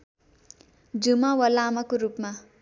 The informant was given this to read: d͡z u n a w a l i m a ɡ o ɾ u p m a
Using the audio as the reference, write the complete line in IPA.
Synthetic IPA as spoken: d͡z u m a w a l a m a k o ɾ u p m a